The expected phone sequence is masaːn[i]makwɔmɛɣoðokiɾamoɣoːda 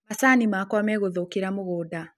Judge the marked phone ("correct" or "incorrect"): correct